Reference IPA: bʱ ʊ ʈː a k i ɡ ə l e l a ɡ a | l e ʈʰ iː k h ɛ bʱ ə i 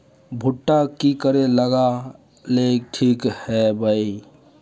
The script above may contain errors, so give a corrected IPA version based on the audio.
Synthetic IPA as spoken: bʱ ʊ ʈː a k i k ə ɾ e l ə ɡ a | l e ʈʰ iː k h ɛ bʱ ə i

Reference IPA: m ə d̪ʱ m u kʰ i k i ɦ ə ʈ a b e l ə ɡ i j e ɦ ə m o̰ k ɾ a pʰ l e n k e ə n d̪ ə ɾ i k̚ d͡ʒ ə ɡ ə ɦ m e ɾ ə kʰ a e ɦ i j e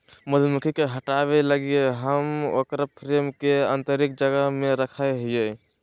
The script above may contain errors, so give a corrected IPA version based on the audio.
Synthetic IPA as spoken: m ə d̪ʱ m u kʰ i k e ɦ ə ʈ a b e l ə ɡ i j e ɦ ə m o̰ k ɾ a pʰ ɾ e m k e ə n t̪ ə ɾ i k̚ d͡ʒ ə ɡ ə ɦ m e ɾ ə kʰ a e ɦ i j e

